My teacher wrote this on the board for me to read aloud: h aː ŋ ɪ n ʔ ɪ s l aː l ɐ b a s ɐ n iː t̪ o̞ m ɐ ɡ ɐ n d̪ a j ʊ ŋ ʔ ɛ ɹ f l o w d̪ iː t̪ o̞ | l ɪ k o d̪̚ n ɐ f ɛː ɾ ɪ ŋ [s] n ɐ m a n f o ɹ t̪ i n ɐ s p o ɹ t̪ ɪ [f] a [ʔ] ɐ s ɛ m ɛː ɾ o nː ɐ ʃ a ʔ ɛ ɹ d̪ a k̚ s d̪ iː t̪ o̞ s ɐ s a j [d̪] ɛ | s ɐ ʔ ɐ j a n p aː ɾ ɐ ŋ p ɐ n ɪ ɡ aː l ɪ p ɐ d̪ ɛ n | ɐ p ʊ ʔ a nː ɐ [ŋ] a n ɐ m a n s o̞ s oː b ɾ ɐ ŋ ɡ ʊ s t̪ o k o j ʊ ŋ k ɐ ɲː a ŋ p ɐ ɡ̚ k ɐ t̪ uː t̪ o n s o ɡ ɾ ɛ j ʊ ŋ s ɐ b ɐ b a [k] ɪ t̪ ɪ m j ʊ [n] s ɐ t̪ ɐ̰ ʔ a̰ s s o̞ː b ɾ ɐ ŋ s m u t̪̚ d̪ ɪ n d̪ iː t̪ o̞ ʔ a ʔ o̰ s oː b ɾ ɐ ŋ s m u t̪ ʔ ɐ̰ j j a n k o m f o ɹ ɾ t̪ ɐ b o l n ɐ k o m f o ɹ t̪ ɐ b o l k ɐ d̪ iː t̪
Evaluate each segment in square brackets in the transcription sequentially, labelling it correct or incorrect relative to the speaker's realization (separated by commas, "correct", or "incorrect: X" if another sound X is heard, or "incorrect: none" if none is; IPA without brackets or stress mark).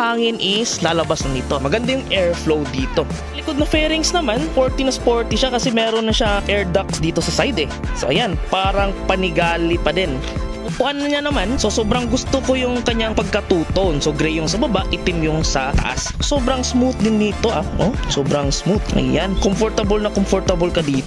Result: correct, incorrect: ʃ, incorrect: k, correct, incorrect: ɲ, incorrect: ʔ, incorrect: ŋ